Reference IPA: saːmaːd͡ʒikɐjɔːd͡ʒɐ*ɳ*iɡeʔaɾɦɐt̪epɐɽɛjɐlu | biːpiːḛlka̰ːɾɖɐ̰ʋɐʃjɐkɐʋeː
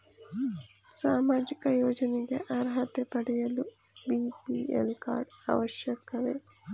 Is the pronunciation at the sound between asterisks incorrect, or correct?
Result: incorrect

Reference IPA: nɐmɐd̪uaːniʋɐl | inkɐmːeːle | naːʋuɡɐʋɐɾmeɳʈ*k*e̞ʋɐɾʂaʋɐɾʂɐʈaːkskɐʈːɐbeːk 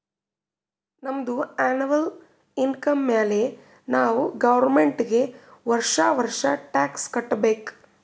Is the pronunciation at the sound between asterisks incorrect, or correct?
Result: incorrect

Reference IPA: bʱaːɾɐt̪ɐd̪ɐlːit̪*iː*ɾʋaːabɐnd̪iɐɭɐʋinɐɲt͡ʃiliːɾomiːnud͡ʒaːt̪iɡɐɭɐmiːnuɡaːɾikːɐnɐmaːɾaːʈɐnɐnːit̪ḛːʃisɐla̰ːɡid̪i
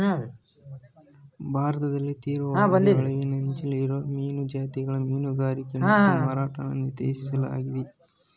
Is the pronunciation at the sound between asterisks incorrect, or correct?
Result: correct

